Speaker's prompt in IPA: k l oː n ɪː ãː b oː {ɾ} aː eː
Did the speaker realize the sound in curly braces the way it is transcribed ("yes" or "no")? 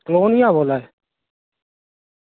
no